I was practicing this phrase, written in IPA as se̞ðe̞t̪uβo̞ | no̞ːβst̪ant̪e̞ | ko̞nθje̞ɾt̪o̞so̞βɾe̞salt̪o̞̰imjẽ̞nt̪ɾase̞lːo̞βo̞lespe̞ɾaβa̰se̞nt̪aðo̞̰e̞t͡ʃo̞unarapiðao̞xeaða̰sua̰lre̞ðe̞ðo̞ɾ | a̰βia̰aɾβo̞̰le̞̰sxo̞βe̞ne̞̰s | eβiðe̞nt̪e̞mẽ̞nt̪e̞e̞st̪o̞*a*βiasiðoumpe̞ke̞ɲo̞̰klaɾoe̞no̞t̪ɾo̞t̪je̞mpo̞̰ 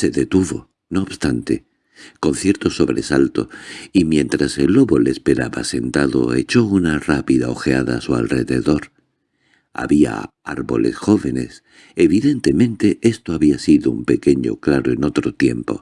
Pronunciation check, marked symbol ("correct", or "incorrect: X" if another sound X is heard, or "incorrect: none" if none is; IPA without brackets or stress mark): correct